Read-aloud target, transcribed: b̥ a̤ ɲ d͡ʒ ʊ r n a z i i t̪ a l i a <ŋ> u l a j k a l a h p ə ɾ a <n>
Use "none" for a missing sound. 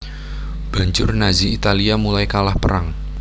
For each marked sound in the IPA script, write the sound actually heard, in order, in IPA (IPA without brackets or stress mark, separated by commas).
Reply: m, ŋ